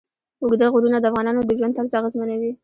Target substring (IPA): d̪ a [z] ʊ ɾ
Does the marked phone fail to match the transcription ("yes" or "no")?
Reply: yes